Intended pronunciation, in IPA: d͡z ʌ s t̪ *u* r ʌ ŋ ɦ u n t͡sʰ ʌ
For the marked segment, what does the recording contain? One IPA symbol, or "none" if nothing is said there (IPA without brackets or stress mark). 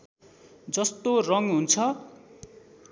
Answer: o